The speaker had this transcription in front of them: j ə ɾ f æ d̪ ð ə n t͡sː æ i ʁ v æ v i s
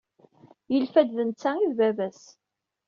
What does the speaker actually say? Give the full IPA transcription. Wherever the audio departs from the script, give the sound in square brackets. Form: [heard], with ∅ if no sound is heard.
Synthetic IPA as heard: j ə [l] f æ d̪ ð ə n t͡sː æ i [ð] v æ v [æ] s